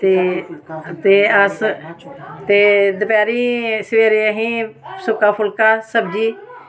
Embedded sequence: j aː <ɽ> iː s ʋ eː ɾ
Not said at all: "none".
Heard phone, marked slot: ɾ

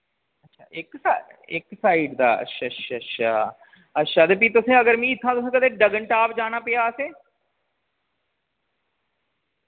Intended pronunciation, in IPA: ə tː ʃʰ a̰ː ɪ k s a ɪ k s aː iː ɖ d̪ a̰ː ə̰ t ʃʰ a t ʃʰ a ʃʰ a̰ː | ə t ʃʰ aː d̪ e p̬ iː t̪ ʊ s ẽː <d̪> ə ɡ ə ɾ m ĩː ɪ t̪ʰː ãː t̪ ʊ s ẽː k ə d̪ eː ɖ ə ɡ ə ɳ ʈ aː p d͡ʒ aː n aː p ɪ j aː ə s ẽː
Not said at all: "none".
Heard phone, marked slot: none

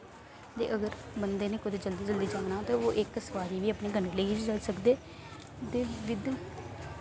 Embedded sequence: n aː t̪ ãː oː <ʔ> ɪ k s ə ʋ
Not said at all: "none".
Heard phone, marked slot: ʔ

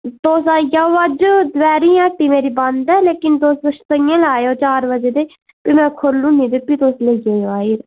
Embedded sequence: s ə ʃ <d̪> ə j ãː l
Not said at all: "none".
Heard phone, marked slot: t̪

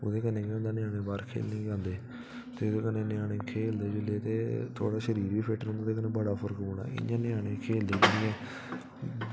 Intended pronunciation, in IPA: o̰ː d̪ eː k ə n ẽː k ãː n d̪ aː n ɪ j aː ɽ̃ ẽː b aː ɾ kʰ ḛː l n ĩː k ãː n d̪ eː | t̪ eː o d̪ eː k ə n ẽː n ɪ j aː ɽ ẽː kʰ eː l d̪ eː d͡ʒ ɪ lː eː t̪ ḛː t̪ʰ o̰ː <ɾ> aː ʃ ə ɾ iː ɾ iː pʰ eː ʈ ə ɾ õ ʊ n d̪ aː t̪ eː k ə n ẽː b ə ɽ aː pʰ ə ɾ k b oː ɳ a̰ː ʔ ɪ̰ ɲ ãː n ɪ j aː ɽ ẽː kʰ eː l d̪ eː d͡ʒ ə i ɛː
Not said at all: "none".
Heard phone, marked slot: ɽ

